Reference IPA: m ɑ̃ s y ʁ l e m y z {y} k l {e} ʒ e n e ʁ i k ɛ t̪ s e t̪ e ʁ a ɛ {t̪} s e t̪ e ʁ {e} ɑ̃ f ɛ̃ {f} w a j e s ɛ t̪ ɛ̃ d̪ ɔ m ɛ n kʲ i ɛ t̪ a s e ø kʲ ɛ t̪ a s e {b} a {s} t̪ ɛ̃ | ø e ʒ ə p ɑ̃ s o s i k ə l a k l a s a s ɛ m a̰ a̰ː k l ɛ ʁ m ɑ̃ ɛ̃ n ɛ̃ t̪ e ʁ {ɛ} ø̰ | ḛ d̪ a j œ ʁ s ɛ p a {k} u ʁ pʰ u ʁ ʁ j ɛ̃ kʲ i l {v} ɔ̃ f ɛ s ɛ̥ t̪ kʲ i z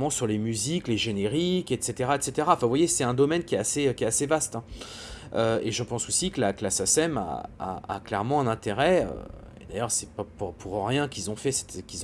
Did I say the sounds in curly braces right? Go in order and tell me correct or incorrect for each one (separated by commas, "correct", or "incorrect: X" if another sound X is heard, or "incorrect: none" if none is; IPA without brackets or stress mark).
incorrect: i, correct, correct, incorrect: a, incorrect: v, incorrect: v, correct, correct, incorrect: p, incorrect: z